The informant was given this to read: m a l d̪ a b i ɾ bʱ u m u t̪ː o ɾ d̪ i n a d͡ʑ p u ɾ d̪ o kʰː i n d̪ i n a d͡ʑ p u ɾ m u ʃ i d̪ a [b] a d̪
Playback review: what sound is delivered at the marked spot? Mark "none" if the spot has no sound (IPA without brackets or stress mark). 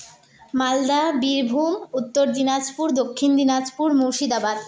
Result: b